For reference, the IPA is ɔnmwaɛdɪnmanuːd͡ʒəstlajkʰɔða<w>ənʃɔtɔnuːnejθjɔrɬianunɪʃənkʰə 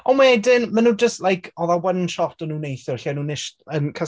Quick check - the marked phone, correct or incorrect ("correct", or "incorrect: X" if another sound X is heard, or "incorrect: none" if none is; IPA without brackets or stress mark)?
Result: correct